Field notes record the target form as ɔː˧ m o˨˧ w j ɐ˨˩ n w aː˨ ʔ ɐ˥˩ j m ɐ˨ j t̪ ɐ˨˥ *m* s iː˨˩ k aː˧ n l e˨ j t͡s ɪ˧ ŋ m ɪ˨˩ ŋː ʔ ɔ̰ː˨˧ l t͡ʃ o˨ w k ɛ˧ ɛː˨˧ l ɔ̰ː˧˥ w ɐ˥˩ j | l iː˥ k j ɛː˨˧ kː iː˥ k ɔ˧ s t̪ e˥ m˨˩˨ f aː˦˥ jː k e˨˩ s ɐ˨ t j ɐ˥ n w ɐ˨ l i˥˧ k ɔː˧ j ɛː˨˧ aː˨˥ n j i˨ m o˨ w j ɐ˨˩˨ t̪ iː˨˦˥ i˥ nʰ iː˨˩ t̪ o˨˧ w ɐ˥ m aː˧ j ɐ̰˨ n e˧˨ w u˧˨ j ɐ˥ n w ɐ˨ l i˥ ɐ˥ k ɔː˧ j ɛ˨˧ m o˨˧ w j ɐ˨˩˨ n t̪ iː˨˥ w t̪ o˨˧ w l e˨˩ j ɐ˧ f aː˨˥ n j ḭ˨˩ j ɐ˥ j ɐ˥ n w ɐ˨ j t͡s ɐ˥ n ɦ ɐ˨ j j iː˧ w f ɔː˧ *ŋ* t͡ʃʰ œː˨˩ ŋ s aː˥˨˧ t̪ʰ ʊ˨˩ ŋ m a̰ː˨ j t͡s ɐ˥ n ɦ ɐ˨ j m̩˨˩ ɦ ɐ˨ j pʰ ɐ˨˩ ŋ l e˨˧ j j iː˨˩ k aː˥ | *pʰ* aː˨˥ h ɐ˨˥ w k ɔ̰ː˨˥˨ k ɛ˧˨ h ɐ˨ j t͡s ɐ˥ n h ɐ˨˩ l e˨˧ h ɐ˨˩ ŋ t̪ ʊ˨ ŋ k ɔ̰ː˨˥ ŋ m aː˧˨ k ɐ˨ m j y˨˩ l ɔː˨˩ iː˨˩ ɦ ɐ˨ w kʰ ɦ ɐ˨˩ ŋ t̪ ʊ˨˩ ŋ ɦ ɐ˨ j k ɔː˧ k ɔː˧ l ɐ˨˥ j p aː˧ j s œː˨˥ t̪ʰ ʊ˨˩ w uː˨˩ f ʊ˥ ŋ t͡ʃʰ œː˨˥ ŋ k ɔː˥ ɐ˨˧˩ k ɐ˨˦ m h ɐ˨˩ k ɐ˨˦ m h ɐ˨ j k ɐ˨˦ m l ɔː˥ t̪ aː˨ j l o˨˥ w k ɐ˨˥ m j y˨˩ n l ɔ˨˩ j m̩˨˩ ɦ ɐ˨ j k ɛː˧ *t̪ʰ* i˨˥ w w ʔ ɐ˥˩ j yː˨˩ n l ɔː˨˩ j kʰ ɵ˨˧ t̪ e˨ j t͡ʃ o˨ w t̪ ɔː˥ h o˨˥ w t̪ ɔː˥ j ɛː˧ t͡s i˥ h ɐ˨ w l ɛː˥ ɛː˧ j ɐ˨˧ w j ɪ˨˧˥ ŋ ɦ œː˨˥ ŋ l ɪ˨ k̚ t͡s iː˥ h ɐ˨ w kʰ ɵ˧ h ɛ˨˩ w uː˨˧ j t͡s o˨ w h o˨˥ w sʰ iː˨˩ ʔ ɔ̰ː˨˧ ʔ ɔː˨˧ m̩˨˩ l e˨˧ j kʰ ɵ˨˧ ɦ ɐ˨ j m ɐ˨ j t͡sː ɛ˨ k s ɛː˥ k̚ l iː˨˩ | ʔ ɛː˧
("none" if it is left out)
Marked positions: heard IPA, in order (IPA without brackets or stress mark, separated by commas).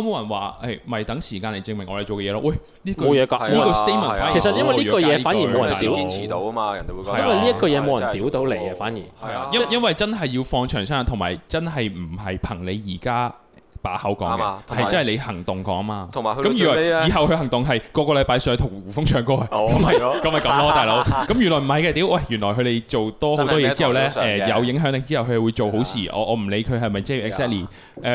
ŋ, ŋ, p, t̪